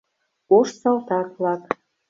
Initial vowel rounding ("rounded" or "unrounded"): rounded